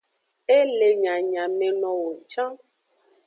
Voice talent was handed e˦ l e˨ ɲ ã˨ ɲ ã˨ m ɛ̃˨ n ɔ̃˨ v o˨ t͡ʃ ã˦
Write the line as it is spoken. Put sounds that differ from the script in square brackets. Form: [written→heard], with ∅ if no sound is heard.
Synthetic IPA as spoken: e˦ l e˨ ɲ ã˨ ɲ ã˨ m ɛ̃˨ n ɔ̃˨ [v→w] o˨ t͡ʃ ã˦

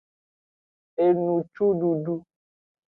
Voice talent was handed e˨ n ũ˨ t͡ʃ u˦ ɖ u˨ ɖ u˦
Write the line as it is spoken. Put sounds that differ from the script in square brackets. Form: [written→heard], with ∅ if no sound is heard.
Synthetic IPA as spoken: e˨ n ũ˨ t͡ʃ u˦ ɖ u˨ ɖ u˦

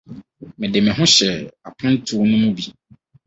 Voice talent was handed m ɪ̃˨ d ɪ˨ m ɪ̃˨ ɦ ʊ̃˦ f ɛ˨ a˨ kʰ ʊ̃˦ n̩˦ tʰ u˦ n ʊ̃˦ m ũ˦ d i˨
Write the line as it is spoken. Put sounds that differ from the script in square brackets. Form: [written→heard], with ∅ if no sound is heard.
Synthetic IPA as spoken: m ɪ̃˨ d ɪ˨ m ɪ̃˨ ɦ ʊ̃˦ [f→ɕ] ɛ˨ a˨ [kʰ→pʰ] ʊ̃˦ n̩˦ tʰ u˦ n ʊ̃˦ m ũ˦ [d→b] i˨

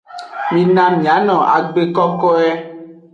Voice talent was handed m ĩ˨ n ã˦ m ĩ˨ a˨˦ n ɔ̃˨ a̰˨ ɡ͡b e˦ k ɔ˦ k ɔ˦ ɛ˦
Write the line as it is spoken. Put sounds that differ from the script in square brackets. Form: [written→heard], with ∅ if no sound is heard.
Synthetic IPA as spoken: m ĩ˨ n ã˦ m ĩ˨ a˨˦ n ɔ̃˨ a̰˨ ɡ͡b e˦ k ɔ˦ k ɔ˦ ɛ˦

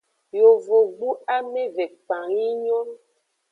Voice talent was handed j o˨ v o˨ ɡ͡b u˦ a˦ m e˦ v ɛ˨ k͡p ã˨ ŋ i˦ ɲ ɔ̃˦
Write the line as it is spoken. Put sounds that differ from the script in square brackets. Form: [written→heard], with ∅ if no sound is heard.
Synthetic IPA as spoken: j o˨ v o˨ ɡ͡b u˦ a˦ m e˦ v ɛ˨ k͡p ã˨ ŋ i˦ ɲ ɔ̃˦

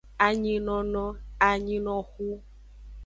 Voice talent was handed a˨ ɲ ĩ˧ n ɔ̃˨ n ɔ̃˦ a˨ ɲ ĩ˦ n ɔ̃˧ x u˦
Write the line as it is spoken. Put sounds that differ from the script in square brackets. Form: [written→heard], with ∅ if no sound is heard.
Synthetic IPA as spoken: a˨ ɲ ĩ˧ n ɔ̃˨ n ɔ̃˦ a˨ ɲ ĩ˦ n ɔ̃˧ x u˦

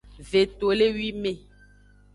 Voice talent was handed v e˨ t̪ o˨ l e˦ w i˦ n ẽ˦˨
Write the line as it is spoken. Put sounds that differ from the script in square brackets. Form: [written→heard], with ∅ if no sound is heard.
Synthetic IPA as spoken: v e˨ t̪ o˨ l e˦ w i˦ [n→m] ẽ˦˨

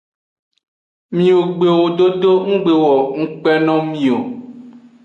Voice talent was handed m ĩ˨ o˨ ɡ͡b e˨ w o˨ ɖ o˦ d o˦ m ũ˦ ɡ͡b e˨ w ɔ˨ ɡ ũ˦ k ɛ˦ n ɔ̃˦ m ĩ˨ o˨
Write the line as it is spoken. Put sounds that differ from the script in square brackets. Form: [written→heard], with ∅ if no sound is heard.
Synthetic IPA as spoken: m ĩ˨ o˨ ɡ͡b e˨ w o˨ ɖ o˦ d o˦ [m→ŋ] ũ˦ ɡ͡b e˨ w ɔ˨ [ɡ→ŋ] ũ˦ [k→k͡p] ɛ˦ n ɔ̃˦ m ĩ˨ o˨

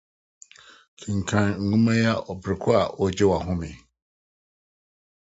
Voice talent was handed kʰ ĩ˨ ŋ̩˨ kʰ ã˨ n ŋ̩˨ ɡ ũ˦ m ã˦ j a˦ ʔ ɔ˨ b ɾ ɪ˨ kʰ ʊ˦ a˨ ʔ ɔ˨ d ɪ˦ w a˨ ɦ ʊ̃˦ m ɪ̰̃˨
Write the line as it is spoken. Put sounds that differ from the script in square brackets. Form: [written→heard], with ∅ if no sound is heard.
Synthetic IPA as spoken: kʰ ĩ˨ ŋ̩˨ kʰ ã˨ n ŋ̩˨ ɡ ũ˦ m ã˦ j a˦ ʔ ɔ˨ b ɾ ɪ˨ kʰ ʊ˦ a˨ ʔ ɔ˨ [d→d͡ʑ] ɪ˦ w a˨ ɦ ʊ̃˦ m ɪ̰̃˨

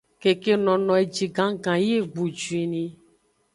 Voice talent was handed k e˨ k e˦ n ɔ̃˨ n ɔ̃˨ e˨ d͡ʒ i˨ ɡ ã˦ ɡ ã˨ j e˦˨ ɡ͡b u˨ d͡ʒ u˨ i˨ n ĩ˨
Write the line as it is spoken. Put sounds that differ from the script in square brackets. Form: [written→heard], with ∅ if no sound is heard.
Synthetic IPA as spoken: k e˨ k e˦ n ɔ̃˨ n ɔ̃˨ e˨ d͡ʒ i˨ ɡ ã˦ ɡ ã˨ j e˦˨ ɡ͡b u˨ d͡ʒ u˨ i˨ n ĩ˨

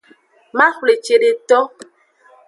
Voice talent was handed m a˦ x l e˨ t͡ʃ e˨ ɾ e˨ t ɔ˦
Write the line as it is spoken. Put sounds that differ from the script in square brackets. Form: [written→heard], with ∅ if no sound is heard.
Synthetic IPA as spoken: m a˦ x l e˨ t͡ʃ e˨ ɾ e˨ t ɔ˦

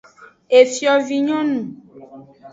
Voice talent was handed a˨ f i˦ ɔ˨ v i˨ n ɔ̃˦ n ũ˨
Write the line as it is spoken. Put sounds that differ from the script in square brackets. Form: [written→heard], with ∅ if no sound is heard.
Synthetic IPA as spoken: [a˨→e˨] f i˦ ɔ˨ v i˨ [n→ɲ] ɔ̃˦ n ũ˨

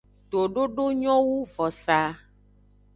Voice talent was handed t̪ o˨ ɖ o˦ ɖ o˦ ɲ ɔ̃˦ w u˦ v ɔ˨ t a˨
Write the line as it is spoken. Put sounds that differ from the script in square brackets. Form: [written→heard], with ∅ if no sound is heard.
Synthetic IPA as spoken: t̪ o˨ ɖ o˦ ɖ o˦ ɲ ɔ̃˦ w u˦ v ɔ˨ [t→s] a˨

